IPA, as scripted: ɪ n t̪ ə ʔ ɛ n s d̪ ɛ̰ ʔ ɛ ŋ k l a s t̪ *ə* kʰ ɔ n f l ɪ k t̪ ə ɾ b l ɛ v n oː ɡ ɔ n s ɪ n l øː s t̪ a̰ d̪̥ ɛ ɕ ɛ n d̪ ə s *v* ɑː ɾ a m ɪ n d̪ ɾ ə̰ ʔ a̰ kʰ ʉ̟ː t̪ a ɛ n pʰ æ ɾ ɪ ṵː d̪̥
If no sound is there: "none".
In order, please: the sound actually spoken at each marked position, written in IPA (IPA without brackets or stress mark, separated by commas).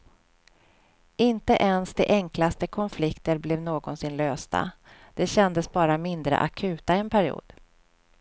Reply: ə, b